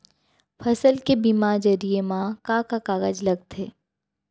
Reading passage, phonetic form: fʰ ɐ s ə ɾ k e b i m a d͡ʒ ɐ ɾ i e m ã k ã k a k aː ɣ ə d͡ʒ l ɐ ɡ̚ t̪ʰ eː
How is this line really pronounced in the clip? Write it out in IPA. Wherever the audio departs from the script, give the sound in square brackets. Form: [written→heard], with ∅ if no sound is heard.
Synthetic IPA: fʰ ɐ s ə [ɾ→l] k e b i m a d͡ʒ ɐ ɾ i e m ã k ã k a k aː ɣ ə d͡ʒ l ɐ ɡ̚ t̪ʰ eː